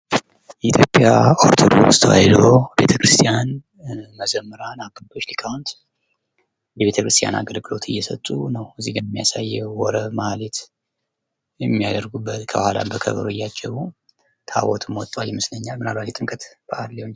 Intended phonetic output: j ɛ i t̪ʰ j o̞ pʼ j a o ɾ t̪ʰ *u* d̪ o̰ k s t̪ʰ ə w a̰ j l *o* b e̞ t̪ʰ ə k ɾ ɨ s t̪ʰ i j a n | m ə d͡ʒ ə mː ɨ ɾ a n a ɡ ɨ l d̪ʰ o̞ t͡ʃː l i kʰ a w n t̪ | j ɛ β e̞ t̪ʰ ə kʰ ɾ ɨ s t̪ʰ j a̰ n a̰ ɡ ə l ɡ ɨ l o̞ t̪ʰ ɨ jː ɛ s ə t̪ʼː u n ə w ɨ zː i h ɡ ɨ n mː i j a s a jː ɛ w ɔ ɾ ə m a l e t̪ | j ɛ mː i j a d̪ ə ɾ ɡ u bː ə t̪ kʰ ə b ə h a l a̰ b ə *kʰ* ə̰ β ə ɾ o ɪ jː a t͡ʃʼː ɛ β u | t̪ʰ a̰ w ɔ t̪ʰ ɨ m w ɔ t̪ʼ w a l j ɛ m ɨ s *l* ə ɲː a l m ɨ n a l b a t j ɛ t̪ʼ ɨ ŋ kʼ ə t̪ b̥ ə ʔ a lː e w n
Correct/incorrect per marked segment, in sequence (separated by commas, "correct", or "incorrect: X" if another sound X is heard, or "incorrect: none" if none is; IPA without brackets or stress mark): incorrect: o, correct, correct, correct